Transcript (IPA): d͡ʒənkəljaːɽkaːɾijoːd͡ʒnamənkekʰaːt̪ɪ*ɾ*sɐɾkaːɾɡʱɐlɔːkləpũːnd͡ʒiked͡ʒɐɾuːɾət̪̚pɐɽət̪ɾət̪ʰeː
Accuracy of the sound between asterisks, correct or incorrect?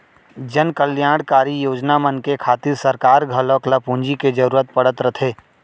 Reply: correct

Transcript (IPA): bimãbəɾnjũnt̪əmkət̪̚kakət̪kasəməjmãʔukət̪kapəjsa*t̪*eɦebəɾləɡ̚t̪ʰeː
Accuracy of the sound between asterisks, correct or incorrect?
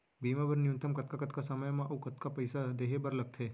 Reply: incorrect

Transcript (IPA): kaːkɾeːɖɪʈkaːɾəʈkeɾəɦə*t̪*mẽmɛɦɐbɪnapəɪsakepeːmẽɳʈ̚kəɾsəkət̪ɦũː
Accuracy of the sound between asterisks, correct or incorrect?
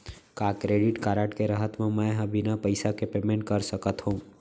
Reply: correct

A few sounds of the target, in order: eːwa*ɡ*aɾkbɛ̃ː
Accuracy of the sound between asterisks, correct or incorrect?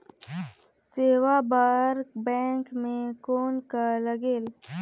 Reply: incorrect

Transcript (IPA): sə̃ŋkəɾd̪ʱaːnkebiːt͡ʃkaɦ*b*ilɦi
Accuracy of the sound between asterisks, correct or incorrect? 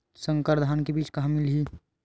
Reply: incorrect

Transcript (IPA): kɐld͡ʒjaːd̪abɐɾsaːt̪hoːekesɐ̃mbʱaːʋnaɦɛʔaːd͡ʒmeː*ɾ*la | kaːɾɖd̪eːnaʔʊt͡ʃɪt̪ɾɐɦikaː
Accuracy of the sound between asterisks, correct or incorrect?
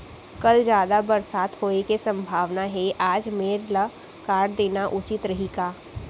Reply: correct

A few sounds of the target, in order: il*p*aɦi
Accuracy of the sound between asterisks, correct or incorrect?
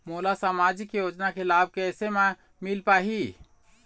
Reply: correct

